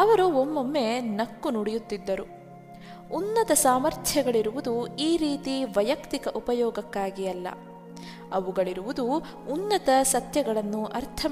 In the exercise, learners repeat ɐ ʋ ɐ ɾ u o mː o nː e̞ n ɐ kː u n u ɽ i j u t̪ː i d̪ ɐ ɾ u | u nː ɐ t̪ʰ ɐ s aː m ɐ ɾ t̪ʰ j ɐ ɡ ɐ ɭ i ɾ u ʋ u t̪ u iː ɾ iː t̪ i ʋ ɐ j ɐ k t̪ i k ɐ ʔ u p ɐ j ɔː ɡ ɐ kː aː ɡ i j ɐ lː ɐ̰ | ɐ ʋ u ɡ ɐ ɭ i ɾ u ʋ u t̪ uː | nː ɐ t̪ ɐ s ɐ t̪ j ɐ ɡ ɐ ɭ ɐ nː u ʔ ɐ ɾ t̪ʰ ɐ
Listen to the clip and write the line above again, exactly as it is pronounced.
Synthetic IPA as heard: ɐ ʋ ɐ ɾ u o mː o mː e̞ n ɐ kː u n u ɽ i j u t̪ː i d̪ː ɐ ɾ u | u nː ɐ t̪ ɐ s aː m ɐ ɾ t̪ʰ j ɐ ɡ ɐ ɭ i ɾ u ʋ u d̪ u iː ɾ iː t̪ i ʋ ɐ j ɐ k t̪ i k ɐ ʔ u p ɐ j ɔː ɡ ɐ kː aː ɡ i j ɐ lː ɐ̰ | ɐ ʋ u ɡ ɐ ɭ i ɾ u ʋ u d̪ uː | nː ɐ t̪ ɐ s ɐ t̪ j ɐ ɡ ɐ ɭ ɐ nː u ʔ ɐ ɾ t̪ʰ ɐ